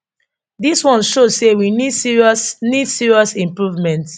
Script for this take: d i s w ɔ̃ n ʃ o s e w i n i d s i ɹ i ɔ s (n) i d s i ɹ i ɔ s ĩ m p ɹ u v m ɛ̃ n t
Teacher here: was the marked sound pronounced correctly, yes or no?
yes